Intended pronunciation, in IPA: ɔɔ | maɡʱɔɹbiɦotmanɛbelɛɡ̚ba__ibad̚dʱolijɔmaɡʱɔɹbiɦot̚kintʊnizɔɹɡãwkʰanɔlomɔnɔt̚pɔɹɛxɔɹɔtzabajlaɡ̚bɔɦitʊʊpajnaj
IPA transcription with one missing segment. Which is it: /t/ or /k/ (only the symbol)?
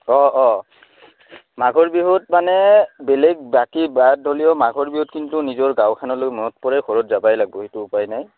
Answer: k